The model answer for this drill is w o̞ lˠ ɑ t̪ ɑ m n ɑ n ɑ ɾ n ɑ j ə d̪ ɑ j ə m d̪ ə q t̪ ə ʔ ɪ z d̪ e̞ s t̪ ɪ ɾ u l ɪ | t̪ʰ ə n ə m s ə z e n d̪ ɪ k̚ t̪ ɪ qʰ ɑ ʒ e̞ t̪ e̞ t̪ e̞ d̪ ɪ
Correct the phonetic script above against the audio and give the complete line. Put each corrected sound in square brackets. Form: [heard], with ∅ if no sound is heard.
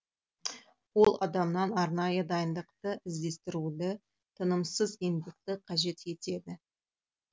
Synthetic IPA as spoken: w o̞ lˠ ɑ [d̪] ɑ m n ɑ n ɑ ɾ n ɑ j ə d̪ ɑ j ə [n] d̪ ə q t̪ ə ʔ ɪ z d̪ e̞ s t̪ ɪ ɾ u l ɪ | t̪ʰ ə n ə m s ə z e n d̪ ɪ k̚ t̪ ɪ qʰ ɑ ʒ e̞ t̪ e̞ t̪ e̞ d̪ ɪ

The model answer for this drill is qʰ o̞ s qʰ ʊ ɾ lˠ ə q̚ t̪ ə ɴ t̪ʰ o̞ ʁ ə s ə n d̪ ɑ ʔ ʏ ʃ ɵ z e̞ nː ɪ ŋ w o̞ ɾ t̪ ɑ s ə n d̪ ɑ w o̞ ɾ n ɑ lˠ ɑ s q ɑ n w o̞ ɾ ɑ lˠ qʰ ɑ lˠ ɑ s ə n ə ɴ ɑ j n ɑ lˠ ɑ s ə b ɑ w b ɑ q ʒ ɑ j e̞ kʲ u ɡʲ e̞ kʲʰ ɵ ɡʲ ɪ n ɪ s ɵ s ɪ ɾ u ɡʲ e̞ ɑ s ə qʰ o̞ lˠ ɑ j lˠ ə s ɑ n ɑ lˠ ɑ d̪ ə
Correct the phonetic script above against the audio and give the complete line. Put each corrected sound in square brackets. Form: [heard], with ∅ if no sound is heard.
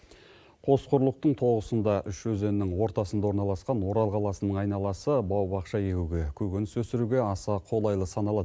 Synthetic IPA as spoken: qʰ o̞ s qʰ ʊ ɾ lˠ ə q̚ t̪ ə ɴ t̪ʰ o̞ ʁ ə s ə n d̪ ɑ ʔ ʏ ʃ ɵ z e̞ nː ɪ ŋ w o̞ ɾ t̪ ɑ s ə n d̪ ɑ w o̞ ɾ n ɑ lˠ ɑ s q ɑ n w o̞ ɾ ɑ lˠ qʰ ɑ lˠ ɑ s ə n ə ɴ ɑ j n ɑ lˠ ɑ s ə b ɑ w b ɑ q [ʃ] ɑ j e̞ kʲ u ɡʲ e̞ kʲʰ ɵ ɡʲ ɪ n ɪ s ɵ s ɪ ɾ u ɡʲ e̞ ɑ s [ɑ] qʰ o̞ lˠ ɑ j lˠ ə s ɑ n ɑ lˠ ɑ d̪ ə

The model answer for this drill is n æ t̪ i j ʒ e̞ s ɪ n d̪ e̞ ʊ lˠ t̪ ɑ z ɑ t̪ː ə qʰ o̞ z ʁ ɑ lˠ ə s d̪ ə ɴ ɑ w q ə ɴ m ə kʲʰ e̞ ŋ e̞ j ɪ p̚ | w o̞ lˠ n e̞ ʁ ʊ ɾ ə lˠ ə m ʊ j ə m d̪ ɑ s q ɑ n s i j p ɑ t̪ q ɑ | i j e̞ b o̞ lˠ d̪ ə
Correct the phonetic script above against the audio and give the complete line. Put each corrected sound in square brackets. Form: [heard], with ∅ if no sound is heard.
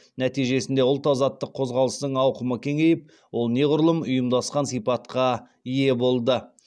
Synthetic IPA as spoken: n æ t̪ i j ʒ e̞ s ɪ n d̪ e̞ ʊ lˠ t̪ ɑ z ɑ t̪ː ə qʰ o̞ z ʁ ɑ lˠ ə s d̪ ə ɴ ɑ w q ə [∅] m ə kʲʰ e̞ ŋ e̞ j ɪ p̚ | w o̞ lˠ n e̞ ʁ ʊ ɾ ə lˠ ə m ʊ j ə m d̪ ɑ s q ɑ n s i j p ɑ t̪ q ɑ | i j e̞ b o̞ lˠ d̪ ə

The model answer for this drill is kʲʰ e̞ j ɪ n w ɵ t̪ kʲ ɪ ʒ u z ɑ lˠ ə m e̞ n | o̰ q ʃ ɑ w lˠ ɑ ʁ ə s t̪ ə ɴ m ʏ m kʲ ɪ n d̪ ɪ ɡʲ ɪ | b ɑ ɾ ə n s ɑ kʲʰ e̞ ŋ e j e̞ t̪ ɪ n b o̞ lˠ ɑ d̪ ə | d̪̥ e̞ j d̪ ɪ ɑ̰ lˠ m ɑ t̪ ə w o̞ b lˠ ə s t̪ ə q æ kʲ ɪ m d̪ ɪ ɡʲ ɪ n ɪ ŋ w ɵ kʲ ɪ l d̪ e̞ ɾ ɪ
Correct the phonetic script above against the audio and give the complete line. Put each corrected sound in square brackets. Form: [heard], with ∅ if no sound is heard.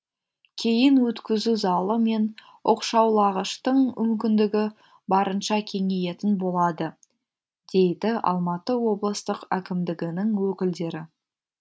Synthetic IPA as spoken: kʲʰ e̞ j ɪ n w ɵ t̪ kʲ ɪ [z] u z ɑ lˠ ə m e̞ n | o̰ q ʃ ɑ w lˠ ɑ ʁ ə [ʃ] t̪ ə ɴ m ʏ m kʲ ɪ n d̪ ɪ ɡʲ ɪ | b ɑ ɾ ə n [ʃ] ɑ kʲʰ e̞ ŋ e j e̞ t̪ ɪ n b o̞ lˠ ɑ d̪ ə | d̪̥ e̞ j d̪ ɪ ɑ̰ lˠ m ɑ t̪ ə w o̞ b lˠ ə s t̪ ə q æ kʲ ɪ m d̪ ɪ ɡʲ ɪ n ɪ ŋ w ɵ kʲ ɪ l d̪ e̞ ɾ ɪ

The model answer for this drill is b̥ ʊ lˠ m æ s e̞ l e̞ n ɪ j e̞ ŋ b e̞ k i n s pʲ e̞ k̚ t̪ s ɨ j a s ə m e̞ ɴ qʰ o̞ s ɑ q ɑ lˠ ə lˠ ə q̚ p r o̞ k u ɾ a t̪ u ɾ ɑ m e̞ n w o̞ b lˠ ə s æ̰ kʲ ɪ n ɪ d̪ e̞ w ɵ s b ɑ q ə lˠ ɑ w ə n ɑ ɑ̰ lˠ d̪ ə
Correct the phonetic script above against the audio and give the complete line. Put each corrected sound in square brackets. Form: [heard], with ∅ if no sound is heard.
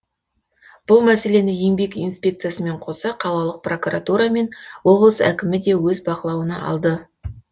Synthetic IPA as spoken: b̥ ʊ lˠ m æ s e̞ l e̞ n ɪ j e̞ ŋ b e̞ k i n s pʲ e̞ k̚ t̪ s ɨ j a s ə m e̞ ɴ qʰ o̞ s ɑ [qʰ] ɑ lˠ [ɑ] lˠ ə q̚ p r o̞ k u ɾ a t̪ u ɾ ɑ m e̞ n w o̞ b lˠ ə s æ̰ kʲ ɪ [m] ɪ d̪ e̞ w ɵ [z] b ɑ q ə lˠ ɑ w ə n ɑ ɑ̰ lˠ d̪ ə

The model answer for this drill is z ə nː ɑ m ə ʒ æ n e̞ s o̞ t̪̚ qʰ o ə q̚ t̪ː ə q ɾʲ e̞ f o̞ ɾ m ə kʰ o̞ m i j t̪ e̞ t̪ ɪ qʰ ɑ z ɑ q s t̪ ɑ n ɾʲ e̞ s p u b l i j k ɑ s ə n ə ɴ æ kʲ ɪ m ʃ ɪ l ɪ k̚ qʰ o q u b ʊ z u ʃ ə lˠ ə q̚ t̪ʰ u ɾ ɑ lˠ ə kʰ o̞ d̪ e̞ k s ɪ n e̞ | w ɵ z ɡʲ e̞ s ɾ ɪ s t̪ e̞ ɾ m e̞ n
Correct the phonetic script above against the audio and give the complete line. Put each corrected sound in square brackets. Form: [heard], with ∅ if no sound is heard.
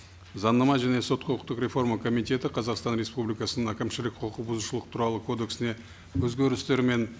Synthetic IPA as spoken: z [ɑ] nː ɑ m [ɑ] ʒ æ n e̞ s o̞ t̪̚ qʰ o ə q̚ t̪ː ə q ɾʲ e̞ f o̞ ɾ m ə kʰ o̞ m i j t̪ e̞ t̪ ɪ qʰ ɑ z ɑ q s t̪ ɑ n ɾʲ e̞ s p u b l i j k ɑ s ə n ə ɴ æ kʲ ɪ m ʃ ɪ l ɪ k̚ qʰ o q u b ʊ z u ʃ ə lˠ ə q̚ t̪ʰ u ɾ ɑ lˠ ə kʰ o̞ d̪ e̞ k s ɪ n e̞ | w ɵ z ɡʲ e̞ [∅] ɾ ɪ s t̪ e̞ ɾ m e̞ n

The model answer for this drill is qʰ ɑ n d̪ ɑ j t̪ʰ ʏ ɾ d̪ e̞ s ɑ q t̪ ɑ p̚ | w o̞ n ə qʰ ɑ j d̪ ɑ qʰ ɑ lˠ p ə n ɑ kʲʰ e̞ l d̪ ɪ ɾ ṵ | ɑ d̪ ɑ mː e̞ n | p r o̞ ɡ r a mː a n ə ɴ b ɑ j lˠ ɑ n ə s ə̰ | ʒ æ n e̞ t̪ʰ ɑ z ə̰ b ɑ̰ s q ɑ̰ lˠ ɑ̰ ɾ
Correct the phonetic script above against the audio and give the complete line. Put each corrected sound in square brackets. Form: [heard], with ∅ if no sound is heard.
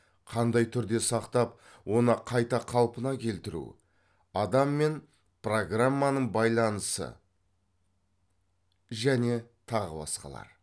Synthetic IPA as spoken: qʰ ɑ n d̪ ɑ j t̪ʰ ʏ ɾ d̪ e̞ s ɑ q t̪ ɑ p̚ | w o̞ n ə qʰ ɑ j [t̪] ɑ qʰ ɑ lˠ p ə n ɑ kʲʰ e̞ l [t̪] ɪ ɾ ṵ | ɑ d̪ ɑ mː e̞ n | p r o̞ ɡ r a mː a n ə ɴ b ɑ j lˠ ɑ n ə s ə̰ | ʒ æ n e̞ t̪ʰ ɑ [ʁ] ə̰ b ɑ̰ s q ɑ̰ lˠ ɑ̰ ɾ

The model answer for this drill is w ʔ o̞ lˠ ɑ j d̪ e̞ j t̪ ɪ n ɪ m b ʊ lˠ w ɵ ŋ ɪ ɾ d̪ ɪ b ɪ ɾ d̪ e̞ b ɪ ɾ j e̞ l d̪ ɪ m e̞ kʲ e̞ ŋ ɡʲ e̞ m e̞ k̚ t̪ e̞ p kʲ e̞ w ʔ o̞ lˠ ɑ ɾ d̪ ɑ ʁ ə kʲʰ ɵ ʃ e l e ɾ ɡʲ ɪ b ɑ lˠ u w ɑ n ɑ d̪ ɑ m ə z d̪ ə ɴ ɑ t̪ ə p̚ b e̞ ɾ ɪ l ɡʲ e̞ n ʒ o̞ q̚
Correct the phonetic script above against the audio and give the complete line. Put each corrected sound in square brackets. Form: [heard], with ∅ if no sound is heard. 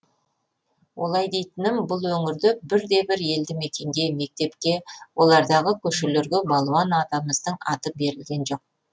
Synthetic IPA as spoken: w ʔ o̞ lˠ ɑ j d̪ e̞ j t̪ ɪ n ɪ m b ʊ lˠ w ɵ ŋ ɪ ɾ d̪ ɪ b ɪ ɾ d̪ e̞ b ɪ ɾ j e̞ l d̪ ɪ m e̞ kʲ e̞ ŋ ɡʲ e̞ m e̞ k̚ t̪ e̞ p kʲ e̞ w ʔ o̞ lˠ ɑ ɾ d̪ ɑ ʁ ə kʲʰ ɵ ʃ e l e ɾ ɡʲ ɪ b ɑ lˠ u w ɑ n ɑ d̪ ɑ m ə z d̪ ə ɴ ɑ t̪ ə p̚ b e̞ ɾ ɪ l ɡʲ e̞ n ʒ o̞ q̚

